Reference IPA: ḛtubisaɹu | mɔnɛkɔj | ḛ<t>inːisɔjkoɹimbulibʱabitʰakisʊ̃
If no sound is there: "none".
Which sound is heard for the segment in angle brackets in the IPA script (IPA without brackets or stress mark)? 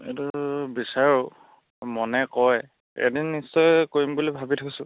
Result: d